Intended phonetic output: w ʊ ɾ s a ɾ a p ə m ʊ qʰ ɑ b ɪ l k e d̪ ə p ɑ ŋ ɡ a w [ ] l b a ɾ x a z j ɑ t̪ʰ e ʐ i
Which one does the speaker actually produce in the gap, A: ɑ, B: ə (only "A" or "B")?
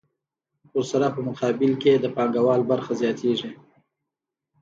A